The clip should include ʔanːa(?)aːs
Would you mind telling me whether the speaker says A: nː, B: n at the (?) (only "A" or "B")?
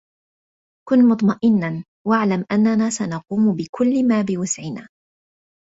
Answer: B